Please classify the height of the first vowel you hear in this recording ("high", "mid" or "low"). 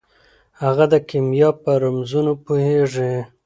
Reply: low